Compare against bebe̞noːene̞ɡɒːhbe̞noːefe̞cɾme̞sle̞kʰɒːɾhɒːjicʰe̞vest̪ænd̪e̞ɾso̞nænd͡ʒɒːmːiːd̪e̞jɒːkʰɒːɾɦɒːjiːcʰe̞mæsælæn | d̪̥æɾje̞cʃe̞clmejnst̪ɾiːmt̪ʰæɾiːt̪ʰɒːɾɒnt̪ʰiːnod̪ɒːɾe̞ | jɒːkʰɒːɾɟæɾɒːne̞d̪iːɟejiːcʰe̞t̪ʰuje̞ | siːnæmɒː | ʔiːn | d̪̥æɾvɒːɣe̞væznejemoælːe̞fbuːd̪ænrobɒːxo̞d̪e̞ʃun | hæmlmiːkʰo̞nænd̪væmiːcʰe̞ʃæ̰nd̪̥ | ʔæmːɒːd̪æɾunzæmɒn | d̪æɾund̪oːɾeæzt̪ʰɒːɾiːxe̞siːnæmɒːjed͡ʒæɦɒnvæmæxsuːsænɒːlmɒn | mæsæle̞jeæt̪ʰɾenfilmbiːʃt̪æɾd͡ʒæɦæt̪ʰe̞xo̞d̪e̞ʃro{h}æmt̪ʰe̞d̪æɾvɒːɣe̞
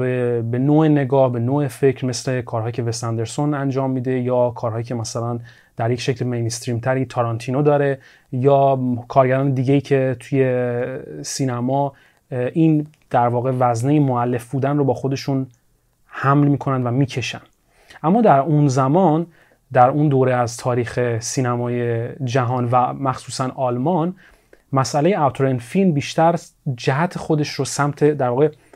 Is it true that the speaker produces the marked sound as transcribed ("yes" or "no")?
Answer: no